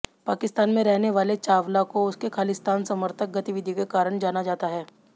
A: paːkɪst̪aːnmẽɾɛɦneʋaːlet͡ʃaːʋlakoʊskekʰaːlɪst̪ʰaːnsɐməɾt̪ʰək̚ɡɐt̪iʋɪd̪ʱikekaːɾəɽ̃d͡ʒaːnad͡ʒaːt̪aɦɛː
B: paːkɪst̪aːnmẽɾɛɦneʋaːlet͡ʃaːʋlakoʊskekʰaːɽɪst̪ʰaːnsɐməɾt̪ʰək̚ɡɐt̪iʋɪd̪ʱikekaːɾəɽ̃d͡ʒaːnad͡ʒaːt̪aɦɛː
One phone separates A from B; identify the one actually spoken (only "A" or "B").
A